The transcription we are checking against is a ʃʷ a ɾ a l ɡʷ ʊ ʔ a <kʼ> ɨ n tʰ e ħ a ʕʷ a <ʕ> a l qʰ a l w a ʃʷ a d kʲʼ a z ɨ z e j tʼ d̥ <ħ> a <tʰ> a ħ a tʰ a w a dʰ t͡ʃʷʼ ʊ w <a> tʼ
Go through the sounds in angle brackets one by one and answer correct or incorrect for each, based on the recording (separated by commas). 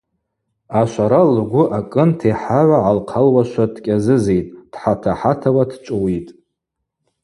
correct, correct, correct, correct, incorrect